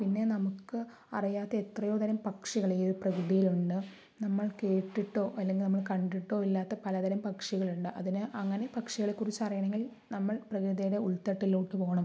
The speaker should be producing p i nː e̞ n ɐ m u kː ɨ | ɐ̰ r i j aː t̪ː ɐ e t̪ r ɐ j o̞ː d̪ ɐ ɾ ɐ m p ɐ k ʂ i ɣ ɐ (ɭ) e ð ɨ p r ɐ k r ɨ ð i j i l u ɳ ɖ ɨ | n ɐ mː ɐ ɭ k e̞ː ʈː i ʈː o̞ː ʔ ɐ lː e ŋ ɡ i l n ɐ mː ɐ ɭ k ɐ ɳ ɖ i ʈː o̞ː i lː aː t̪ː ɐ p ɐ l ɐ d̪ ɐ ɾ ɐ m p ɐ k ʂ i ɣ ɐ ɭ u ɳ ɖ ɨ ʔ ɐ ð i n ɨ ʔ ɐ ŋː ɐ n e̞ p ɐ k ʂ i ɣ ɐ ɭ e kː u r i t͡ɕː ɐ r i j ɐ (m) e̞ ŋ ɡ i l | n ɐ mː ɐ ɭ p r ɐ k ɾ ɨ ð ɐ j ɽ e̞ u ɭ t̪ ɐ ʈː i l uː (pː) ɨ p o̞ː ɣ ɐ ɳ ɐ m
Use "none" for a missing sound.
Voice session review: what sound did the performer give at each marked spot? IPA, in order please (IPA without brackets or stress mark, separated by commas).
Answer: ɭ, ɳ, ʈː